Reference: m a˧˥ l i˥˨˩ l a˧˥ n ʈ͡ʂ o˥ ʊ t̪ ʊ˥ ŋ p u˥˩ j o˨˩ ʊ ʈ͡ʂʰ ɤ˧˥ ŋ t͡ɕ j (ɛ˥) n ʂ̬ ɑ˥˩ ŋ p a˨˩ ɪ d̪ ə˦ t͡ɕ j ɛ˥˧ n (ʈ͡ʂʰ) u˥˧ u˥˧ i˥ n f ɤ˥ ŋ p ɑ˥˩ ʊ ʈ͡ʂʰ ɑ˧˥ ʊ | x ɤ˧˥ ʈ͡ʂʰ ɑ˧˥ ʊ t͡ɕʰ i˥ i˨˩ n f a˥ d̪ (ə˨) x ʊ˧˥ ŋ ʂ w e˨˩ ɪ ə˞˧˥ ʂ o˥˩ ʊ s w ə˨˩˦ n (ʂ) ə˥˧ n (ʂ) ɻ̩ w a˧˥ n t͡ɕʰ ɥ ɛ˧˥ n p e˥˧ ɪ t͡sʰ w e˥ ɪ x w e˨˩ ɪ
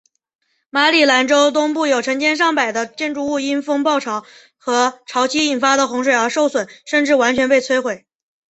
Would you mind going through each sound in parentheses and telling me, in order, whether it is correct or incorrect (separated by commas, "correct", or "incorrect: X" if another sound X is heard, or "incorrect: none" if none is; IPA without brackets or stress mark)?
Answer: correct, incorrect: ʈ͡ʂ, correct, correct, incorrect: ʈ͡ʂ